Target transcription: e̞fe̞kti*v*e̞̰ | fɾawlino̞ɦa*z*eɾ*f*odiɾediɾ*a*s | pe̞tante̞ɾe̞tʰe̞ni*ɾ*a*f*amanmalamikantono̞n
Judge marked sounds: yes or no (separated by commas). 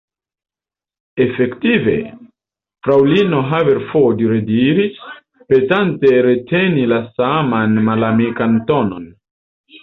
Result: yes, no, yes, no, no, no